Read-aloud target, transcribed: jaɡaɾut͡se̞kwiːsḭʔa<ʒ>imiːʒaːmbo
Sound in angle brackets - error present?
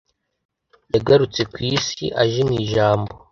no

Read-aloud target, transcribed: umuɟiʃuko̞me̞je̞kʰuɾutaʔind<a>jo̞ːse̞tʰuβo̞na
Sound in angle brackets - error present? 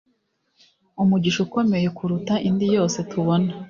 yes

